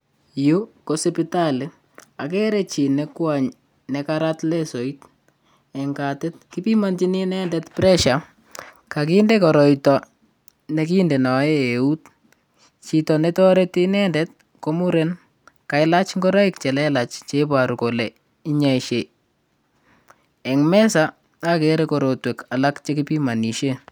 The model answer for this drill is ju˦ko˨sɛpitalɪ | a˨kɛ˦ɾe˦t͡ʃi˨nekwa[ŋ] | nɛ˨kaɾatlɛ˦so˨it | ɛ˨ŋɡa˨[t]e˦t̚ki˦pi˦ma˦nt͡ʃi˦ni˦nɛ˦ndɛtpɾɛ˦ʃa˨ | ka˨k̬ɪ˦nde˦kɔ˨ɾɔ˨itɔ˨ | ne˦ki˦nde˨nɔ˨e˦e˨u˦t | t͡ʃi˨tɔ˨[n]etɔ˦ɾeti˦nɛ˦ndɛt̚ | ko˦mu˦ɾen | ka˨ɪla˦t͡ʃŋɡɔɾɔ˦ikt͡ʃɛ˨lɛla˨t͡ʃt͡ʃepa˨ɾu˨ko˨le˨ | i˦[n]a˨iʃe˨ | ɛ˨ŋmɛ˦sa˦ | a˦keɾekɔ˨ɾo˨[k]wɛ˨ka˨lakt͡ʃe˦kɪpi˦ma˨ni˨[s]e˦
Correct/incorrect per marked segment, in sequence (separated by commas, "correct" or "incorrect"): incorrect, correct, correct, incorrect, incorrect, incorrect